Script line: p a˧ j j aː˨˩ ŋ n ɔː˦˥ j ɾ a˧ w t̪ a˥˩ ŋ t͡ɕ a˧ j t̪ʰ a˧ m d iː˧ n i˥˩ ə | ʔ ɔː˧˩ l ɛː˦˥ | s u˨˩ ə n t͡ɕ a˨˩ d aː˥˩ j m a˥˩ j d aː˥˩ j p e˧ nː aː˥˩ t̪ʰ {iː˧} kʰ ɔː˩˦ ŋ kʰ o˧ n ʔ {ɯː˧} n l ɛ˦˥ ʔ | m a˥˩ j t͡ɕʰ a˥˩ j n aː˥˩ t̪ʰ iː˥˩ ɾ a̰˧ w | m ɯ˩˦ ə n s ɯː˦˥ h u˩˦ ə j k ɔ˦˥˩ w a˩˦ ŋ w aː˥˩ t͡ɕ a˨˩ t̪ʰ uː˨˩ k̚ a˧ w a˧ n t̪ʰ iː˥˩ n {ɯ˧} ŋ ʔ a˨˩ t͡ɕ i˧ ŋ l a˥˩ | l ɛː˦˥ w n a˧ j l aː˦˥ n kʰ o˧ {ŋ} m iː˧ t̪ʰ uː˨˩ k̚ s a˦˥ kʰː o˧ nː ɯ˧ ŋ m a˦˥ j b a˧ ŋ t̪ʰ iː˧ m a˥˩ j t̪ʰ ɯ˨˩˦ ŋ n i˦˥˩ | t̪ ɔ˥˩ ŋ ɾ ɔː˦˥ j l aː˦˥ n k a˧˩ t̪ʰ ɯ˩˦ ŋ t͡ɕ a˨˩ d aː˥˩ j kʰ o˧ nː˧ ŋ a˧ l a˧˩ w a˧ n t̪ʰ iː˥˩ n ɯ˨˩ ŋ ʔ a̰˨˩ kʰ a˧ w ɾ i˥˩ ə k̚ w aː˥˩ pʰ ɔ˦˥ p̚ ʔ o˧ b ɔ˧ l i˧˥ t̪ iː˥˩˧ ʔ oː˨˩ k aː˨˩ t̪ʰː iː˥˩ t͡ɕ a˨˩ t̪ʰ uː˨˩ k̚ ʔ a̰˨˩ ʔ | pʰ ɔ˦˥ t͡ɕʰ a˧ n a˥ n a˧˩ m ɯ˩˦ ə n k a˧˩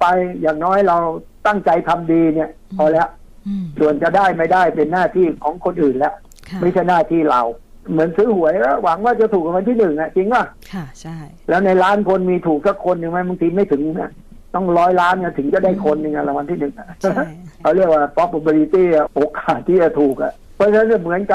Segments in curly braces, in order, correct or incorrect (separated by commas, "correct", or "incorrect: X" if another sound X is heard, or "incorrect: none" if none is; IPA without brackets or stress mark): incorrect: iː˥˩, incorrect: ɯː˨˩, incorrect: ɯ˨˩, incorrect: n